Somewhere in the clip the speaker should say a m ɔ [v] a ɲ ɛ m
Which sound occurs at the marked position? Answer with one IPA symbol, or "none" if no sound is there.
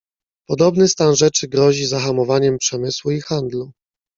v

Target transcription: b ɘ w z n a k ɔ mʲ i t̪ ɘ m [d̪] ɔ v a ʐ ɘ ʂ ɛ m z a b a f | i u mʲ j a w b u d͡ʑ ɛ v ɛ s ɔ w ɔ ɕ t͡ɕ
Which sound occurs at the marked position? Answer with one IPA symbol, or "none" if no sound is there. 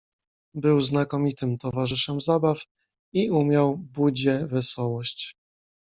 t̪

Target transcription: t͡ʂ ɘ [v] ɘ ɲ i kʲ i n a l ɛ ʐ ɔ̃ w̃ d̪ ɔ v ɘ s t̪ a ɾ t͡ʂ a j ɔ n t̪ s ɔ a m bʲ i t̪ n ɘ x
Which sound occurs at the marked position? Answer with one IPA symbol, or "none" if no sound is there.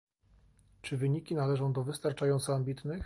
v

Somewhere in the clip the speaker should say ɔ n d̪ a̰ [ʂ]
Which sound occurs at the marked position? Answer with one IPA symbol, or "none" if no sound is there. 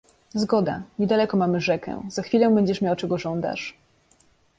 ʂ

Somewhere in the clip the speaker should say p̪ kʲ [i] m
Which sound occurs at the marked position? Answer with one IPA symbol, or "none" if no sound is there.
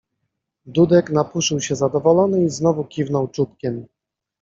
ɛ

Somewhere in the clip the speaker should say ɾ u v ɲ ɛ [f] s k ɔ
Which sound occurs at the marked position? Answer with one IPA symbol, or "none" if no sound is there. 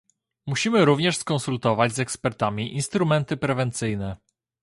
ʂ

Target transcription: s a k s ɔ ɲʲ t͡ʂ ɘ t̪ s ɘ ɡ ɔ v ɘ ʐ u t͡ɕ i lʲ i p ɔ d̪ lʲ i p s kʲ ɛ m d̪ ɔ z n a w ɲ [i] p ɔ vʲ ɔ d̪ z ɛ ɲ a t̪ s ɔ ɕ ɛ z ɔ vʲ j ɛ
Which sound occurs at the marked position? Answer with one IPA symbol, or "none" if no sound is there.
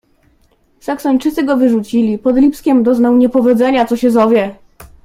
ɛ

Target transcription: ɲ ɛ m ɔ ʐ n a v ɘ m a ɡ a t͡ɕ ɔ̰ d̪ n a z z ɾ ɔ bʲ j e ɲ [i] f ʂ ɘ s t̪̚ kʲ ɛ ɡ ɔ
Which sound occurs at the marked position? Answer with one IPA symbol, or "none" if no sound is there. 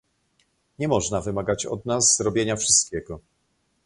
a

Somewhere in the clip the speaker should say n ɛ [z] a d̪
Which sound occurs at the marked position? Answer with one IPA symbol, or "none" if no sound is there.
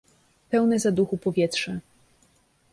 z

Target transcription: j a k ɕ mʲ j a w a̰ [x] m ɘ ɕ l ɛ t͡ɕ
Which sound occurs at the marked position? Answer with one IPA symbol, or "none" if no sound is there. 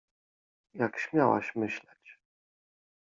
ɕ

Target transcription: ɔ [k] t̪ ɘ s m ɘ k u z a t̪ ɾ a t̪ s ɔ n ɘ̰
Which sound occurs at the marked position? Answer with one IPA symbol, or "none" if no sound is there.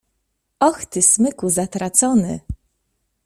x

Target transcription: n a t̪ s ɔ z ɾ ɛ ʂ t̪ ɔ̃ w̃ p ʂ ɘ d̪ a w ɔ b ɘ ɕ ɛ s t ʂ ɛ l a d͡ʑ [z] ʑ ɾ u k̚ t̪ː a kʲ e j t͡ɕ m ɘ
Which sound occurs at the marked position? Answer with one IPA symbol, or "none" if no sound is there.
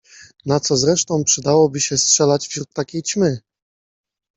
v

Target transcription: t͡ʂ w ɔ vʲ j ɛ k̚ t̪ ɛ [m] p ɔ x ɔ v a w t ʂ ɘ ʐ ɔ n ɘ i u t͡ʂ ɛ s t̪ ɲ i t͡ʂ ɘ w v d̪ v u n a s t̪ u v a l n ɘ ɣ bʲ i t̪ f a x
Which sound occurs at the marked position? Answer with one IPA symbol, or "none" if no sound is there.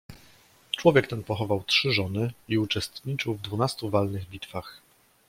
n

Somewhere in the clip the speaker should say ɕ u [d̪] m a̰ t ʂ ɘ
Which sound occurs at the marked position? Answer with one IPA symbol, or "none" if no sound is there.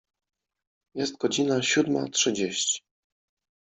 d̪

